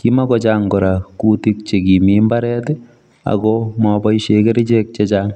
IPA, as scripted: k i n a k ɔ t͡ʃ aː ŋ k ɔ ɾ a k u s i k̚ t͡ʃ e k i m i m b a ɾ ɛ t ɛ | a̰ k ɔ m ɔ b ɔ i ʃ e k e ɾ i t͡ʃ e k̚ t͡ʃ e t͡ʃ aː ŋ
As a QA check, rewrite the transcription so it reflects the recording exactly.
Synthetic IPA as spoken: k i m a k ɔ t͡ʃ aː ŋ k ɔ ɾ a k u t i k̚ t͡ʃ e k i m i m b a ɾ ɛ t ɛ | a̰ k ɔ m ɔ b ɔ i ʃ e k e ɾ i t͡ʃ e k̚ t͡ʃ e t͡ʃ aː ŋ